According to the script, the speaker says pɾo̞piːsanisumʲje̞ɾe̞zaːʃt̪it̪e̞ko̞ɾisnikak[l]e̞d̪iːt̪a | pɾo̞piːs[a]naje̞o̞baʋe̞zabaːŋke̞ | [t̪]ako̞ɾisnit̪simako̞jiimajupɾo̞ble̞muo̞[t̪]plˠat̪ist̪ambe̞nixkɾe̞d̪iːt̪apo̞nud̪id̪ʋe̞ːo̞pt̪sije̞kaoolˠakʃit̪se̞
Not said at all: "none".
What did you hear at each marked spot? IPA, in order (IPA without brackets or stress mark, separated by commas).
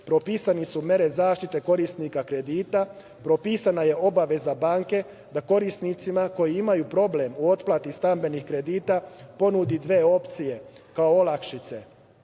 ɾ, a, d̪, t̪